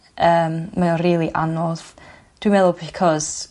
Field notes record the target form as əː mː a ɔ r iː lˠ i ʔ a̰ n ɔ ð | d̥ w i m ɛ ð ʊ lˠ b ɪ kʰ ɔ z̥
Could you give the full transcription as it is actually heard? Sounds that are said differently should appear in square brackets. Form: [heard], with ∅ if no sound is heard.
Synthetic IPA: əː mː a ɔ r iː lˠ i ʔ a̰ n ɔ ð | d̥ w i m ɛ ð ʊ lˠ b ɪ kʰ ɔ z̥